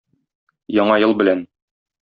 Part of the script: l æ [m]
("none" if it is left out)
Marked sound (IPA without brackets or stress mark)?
n